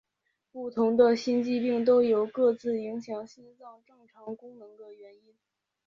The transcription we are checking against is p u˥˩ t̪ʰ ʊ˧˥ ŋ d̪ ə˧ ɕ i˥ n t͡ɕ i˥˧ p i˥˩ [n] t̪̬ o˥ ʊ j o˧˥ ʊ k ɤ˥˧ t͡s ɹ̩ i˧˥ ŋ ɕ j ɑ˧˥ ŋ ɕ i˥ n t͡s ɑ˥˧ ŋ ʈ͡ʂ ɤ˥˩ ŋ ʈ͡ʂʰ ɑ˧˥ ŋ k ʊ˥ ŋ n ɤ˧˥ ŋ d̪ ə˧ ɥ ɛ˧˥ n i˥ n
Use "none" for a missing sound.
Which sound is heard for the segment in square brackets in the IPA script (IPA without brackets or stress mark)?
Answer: ŋ